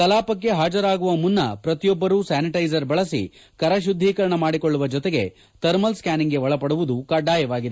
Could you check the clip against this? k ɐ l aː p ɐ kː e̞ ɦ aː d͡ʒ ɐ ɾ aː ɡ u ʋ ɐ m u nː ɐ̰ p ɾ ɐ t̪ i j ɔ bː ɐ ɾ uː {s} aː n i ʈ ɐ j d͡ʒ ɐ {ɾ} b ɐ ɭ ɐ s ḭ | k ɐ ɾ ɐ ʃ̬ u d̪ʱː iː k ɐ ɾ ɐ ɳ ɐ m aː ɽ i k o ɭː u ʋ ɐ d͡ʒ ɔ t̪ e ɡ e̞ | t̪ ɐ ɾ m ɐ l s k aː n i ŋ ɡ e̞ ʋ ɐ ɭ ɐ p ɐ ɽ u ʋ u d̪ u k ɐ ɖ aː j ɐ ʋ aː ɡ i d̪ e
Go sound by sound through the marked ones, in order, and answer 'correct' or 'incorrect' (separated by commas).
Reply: correct, correct